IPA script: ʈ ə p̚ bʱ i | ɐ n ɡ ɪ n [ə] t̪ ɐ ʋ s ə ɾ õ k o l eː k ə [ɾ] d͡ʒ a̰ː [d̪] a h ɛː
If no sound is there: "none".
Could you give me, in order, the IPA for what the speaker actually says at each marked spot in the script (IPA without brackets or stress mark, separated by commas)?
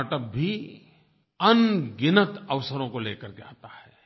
ə, ɾ, t̪